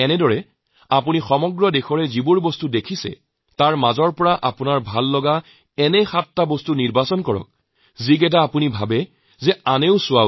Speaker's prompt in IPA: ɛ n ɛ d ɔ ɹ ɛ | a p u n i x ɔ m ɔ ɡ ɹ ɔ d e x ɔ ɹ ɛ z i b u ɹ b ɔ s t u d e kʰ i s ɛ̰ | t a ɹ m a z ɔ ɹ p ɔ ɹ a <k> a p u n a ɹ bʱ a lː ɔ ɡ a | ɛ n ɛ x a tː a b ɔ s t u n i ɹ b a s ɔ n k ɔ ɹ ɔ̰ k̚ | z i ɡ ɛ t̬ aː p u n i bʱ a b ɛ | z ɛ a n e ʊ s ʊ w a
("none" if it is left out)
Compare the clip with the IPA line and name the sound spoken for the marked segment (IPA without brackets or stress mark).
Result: ʔ